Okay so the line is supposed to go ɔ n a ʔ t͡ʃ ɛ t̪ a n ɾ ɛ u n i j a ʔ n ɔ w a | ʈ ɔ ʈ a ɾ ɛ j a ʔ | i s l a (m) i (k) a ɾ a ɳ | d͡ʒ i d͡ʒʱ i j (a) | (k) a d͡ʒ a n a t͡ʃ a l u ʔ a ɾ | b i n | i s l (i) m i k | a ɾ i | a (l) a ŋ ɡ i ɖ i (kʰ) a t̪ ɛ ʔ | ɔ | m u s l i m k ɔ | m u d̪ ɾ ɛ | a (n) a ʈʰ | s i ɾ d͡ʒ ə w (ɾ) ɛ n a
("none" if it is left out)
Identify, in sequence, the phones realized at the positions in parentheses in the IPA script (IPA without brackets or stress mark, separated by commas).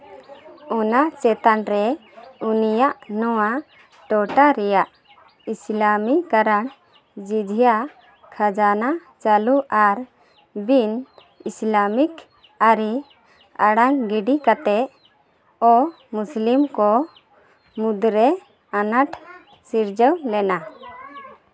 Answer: m, k, a, kʰ, a, ɽ, k, n, l